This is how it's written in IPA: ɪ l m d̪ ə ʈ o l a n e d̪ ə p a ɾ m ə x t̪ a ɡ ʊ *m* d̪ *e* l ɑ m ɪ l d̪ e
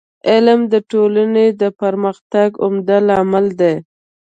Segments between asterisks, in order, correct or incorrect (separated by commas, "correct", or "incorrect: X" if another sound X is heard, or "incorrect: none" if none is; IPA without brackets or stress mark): correct, incorrect: a